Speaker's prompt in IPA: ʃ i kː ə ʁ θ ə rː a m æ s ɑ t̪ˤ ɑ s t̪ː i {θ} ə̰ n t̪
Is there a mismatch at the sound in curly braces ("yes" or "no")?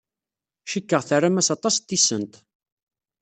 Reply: yes